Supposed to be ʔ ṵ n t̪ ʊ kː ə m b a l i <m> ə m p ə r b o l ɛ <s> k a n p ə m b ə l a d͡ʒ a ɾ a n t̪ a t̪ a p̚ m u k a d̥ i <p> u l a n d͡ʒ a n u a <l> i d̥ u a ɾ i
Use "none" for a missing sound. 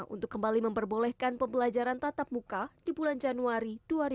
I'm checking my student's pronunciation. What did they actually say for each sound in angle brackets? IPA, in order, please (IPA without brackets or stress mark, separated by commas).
m, h, b, ɾ